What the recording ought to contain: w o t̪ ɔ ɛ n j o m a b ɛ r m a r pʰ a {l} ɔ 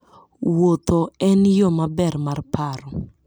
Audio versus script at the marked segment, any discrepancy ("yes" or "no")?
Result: yes